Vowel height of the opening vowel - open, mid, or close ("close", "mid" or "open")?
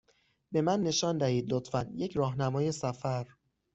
mid